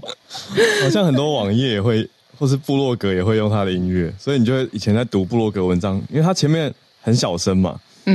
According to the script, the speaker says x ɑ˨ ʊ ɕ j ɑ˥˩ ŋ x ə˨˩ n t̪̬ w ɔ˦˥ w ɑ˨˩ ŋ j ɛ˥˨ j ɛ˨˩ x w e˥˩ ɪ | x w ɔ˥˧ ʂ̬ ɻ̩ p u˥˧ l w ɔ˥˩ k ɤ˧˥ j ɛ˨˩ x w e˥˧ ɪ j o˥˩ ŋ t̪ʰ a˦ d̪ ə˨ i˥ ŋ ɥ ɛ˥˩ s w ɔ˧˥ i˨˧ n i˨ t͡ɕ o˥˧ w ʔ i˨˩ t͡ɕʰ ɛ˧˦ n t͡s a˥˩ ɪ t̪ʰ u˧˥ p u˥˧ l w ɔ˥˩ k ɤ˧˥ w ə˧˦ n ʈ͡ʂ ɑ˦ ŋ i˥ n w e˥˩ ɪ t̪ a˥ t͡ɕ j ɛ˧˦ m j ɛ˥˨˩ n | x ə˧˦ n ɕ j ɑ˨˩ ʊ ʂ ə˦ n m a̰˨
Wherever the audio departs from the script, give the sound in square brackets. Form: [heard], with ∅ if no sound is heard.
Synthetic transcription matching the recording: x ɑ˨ ʊ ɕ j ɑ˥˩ ŋ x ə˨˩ n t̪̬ w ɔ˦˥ w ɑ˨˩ ŋ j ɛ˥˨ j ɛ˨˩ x w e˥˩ ɪ | x w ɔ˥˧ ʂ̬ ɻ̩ p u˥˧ l w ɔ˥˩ k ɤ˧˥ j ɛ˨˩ x w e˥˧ ɪ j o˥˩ ŋ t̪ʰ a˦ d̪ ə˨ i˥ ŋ ɥ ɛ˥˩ s w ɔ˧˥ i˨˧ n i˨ t͡ɕ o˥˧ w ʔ i˨˩ t͡ɕʰ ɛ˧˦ n t͡s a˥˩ ɪ [t̪] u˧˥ p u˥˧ l w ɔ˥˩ k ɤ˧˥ w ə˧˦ n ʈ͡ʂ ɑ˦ ŋ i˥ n w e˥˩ ɪ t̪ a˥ [t͡ɕʰ] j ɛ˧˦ m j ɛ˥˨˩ n | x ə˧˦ n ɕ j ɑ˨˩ ʊ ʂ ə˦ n m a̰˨